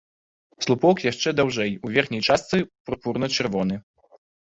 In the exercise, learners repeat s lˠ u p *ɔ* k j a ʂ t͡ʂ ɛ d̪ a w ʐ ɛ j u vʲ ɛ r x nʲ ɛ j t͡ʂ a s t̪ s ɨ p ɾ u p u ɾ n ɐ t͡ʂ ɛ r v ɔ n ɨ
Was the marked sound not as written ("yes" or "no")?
no